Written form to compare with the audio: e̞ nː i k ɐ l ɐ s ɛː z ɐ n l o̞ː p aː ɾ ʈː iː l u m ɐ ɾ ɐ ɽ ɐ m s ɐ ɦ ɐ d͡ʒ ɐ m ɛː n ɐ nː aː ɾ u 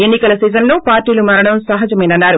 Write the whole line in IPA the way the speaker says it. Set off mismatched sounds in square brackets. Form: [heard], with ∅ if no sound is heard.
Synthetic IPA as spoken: e̞ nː i k ɐ l ɐ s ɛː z ɐ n l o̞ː p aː ɾ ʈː iː l u m ɐ ɾ ɐ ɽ ɐ m s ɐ ɦ ɐ d͡ʒ ɐ m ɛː n ɐ nː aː ɾ u